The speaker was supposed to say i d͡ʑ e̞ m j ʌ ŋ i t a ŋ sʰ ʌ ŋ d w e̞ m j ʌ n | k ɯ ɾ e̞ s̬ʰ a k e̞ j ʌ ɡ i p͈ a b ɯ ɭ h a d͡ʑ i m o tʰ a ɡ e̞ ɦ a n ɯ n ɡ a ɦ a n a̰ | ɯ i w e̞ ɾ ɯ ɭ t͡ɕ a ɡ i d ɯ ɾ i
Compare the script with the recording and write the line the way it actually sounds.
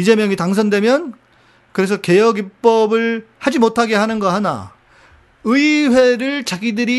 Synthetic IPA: i d͡ʑ e̞ m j ʌ ŋ i t a ŋ sʰ ʌ n d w e̞ m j ʌ n | k ɯ ɾ e̞ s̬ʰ ʌ k e̞ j ʌ ɡ i p͈ ʌ b ɯ ɭ h a d͡ʑ i m o tʰ a ɡ e̞ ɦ a n ɯ n ɡ ʌ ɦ a n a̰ | ɯ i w e̞ ɾ ɯ ɭ t͡ɕ a ɡ i d ɯ ɾ i